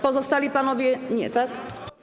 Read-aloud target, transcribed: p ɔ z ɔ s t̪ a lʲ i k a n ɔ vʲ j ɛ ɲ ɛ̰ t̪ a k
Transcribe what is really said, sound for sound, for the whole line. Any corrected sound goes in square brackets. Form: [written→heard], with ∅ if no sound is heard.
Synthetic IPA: p ɔ z ɔ s t̪ a lʲ i [k→p] a n ɔ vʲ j ɛ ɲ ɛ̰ t̪ a k